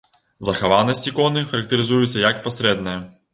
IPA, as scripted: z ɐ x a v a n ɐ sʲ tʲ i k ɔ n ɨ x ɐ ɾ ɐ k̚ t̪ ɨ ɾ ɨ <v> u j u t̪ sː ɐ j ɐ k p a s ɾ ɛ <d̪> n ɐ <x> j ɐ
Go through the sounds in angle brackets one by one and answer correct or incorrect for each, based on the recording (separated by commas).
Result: incorrect, correct, incorrect